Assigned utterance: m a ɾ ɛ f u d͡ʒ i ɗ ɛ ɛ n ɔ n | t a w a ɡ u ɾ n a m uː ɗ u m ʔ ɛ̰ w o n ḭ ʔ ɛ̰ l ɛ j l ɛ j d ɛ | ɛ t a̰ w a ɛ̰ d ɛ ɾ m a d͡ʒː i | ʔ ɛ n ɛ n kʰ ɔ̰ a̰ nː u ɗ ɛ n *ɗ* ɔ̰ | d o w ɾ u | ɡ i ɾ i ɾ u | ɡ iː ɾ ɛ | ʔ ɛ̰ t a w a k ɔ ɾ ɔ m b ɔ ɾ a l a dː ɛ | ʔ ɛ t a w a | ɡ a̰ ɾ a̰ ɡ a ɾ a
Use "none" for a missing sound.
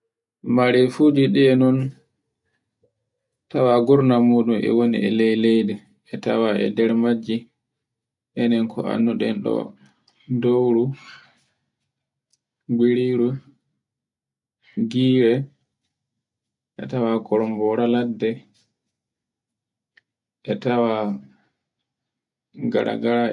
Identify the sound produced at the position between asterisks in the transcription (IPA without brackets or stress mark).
ɗ